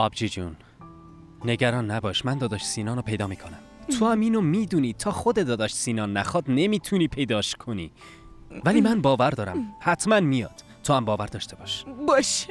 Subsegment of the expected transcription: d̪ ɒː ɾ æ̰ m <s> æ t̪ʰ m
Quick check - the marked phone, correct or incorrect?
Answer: incorrect